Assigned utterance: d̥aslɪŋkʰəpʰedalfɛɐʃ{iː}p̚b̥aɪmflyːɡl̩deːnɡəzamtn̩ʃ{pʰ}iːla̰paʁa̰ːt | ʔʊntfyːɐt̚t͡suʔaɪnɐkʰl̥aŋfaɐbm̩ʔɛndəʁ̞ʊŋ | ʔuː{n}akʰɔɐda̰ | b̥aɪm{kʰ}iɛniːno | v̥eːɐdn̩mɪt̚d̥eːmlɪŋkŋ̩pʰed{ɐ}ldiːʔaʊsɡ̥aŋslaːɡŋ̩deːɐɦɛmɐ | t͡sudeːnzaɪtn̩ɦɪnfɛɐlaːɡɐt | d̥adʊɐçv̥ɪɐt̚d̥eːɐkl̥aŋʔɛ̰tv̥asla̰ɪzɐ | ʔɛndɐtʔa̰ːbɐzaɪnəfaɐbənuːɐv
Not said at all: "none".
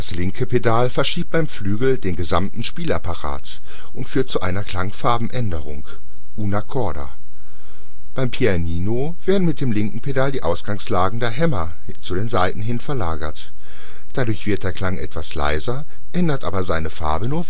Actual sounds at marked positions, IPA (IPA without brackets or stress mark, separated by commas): iː, p, n, pʰ, a